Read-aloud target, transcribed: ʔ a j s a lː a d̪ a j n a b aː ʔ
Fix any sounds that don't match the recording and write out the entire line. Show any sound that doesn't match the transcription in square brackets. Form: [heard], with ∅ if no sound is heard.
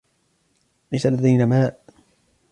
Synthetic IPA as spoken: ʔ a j s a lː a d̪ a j n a [m] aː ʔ